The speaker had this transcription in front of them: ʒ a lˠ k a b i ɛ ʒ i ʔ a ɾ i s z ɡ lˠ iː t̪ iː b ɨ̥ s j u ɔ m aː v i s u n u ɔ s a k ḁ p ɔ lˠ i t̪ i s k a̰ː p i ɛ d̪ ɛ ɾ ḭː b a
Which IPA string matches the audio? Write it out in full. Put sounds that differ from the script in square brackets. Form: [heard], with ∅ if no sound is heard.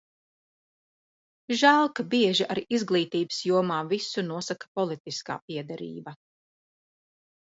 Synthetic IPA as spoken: ʒ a lˠ k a b i ɛ ʒ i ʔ a ɾ i [∅] z ɡ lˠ iː t̪ iː b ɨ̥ s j u ɔ m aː v i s u n u ɔ s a k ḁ p ɔ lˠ i t̪ i s k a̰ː p i ɛ d̪ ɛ ɾ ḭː b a

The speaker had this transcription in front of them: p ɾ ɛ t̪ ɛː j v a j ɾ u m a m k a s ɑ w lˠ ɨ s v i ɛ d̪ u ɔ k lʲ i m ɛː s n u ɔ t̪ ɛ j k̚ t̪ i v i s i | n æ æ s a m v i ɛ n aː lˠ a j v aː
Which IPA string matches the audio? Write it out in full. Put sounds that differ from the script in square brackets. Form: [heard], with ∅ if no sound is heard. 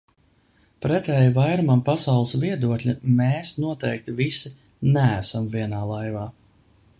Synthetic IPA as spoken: p ɾ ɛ t̪ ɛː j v a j ɾ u m a m [p] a s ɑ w lˠ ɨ s v i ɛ d̪ u ɔ k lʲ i m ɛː s n u ɔ t̪ ɛ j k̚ t̪ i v i s i | n æ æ s a m v i ɛ n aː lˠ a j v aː

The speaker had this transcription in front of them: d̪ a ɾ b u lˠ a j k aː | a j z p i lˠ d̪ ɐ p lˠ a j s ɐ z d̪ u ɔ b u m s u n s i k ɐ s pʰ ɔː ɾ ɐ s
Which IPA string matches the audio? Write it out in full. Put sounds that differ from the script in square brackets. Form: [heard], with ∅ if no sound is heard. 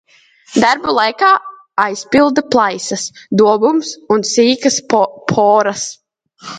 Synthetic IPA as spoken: d̪ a ɾ b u lˠ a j k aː | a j [s] p i lˠ d̪ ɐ p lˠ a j s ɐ [s] d̪ u ɔ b u m s u n s [iː] k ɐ s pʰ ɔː ɾ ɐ s

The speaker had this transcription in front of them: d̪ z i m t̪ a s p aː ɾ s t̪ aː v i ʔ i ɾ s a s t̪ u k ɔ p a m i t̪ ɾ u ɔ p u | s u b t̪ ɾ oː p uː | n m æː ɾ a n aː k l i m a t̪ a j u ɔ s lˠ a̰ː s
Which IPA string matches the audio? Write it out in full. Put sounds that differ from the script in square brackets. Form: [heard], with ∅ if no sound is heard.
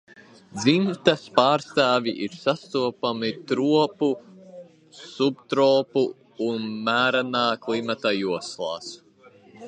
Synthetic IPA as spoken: d̪ z i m t̪ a s p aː ɾ s t̪ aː v i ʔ i ɾ s a s t̪ u [∅] ɔ p a m i t̪ ɾ u ɔ p u | s u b t̪ ɾ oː p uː | n m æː ɾ a n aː k l i m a t̪ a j u ɔ s lˠ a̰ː s

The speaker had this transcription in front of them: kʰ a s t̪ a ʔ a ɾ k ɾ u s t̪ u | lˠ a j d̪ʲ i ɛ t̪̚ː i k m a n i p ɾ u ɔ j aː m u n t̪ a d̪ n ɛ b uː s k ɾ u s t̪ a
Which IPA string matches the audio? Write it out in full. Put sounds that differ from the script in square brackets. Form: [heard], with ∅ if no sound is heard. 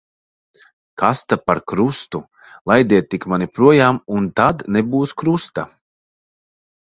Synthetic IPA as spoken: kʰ a s t̪ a [p] a ɾ k ɾ u s t̪ u | lˠ a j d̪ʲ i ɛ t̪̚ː i k m a n i p ɾ u ɔ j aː m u n t̪ a d̪ n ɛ b uː s k ɾ u s t̪ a

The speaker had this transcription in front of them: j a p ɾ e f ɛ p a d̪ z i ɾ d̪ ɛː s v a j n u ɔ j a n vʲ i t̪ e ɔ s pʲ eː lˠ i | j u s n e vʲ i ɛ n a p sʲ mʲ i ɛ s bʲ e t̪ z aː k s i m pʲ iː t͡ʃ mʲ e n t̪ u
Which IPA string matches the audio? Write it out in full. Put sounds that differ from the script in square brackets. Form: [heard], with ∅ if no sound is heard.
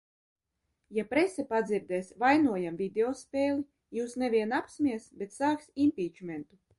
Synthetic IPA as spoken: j a p ɾ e [s] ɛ p a d̪ z i ɾ d̪ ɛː s v a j n u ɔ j a [m] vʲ i [d̪] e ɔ s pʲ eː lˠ i | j [uː] s n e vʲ i ɛ n a p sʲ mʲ i ɛ s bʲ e t̪ [s] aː k s i m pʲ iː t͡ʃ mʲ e n t̪ u

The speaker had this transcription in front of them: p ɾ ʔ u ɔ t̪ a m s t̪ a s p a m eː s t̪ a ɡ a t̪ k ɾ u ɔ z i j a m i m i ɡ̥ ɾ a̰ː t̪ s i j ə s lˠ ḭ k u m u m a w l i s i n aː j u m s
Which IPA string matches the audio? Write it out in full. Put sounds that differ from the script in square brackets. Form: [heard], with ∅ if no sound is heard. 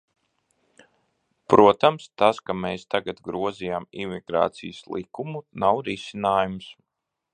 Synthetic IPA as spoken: p ɾ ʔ u ɔ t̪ a m s t̪ a s [k] a m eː s t̪ a ɡ a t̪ [ɡ] ɾ u ɔ z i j a m i m i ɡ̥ ɾ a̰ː t̪ s i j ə s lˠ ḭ k u m u [n] a w [ɾ] i s i n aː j u m s

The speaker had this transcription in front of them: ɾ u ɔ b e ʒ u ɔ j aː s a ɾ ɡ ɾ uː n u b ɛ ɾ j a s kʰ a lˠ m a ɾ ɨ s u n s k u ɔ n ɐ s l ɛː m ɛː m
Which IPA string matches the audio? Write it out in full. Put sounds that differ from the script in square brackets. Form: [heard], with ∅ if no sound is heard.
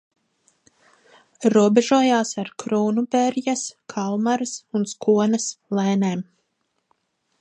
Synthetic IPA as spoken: ɾ u ɔ b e ʒ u ɔ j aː s a ɾ [k] ɾ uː n u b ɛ ɾ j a s kʰ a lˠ m a ɾ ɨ s u n s k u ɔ n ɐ s l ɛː [n] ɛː m

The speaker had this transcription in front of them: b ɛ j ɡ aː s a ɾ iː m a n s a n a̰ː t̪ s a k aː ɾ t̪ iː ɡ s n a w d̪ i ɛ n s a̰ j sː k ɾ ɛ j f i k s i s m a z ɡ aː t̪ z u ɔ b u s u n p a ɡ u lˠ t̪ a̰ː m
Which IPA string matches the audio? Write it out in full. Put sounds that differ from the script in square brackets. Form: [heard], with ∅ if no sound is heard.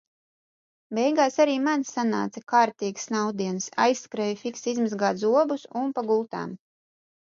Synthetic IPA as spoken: b ɛ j ɡ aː s a ɾ iː m a n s a n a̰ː t̪ s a k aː ɾ t̪ iː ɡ s n a w d̪ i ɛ n s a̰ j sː k ɾ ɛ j f i k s i [z] m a z ɡ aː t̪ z u ɔ b u s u n p a ɡ u lˠ t̪ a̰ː m

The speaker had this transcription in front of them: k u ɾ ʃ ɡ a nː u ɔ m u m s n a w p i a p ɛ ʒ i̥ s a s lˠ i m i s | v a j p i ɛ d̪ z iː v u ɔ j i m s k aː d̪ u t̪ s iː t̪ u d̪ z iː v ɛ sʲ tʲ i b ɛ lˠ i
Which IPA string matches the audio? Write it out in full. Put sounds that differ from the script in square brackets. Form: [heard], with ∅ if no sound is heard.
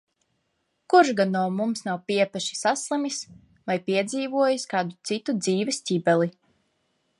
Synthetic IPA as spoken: k u ɾ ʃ ɡ a nː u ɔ m u m s n a w p i [ɛ] p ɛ [ʃ] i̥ s a s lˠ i m i s | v a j p i ɛ d̪ z iː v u ɔ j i [∅] s k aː d̪ u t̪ s [i] t̪ u d̪ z iː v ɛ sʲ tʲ i b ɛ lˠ i

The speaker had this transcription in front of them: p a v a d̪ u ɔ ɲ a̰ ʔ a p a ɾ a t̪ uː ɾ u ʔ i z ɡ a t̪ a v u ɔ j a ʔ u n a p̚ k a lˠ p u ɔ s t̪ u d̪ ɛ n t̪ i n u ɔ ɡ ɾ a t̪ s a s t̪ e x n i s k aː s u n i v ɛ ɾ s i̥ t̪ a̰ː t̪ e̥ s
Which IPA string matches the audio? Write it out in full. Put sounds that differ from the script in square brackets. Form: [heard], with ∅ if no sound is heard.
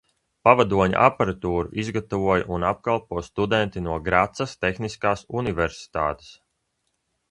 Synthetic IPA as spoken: p a v a d̪ u ɔ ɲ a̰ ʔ a p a ɾ a t̪ uː ɾ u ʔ i z ɡ a t̪ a v u ɔ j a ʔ u n a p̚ k a lˠ p u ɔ s t̪ u d̪ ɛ n t̪ i n u ɔ ɡ ɾ a t̪ s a s t̪ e x n i s k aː s u n i v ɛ ɾ s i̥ t̪ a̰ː t̪ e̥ s

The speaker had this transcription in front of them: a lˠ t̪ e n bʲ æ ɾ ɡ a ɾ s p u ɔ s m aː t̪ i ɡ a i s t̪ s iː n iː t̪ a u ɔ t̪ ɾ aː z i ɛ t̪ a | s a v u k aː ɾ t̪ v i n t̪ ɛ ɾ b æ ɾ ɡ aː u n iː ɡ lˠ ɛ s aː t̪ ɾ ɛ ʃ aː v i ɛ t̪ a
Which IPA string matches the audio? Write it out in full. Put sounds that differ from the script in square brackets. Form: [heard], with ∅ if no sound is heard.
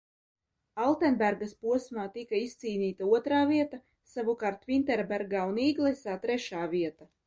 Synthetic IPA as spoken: a lˠ t̪ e n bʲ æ ɾ ɡ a [∅] s p u ɔ s m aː t̪ i [k] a i s t̪ s iː n iː t̪ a u ɔ t̪ ɾ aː [v] i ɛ t̪ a | s a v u k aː ɾ t̪ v i n t̪ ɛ ɾ b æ ɾ ɡ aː u n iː ɡ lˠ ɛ s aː t̪ ɾ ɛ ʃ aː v i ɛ t̪ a

